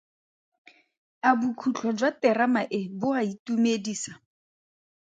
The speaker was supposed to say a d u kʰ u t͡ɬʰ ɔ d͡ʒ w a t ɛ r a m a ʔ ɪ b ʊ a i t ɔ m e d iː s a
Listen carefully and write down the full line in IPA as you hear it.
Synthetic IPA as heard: a b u kʰ u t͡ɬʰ ɔ d͡ʒ w a t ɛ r a m a ʔ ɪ b ʊ a i t u m e d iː s a